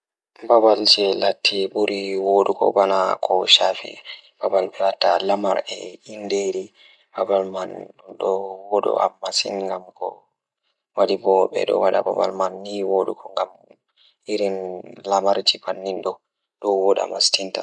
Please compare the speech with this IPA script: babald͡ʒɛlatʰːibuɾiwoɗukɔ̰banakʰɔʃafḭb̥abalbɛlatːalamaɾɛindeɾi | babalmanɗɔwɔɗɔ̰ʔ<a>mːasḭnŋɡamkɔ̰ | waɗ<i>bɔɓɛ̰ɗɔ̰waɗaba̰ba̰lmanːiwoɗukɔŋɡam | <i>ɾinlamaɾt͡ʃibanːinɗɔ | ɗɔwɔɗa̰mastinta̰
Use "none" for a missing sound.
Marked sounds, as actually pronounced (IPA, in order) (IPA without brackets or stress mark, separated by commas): a, i, i